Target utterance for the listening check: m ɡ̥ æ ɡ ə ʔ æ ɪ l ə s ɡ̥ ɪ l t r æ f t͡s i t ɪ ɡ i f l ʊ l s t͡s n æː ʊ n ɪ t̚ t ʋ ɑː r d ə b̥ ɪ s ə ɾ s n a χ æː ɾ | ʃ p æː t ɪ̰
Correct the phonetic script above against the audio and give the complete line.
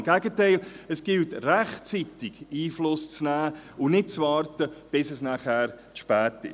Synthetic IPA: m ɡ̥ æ ɡ ə t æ ɪ l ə s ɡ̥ ɪ l t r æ χ t͡s i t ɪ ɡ iː f l ʊ s t͡s n æː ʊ n ɪ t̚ t͡s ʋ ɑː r t ə b̥ ɪ s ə s n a χ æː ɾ | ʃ p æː t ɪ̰